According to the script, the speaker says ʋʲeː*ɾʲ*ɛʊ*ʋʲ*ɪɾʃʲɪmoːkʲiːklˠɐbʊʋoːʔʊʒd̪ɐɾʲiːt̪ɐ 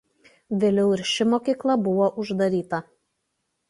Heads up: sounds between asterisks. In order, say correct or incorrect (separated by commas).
incorrect, incorrect